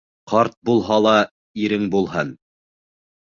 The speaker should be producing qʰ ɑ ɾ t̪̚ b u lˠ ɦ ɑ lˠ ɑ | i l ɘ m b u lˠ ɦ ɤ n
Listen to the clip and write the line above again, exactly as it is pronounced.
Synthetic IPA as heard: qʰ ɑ ɾ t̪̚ b u lˠ ɦ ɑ lˠ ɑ | i ɾ ɘ ŋ b u lˠ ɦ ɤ n